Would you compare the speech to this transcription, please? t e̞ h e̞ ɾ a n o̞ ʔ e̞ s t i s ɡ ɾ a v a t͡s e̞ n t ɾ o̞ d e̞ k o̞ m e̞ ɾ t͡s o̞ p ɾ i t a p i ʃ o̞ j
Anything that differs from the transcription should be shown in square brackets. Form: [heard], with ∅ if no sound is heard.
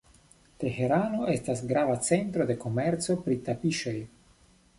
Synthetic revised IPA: t e̞ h e̞ ɾ a n o̞ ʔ e̞ s t [a] s ɡ ɾ a v a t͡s e̞ n t ɾ o̞ d e̞ k o̞ m e̞ ɾ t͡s o̞ p ɾ i t a p i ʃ o̞ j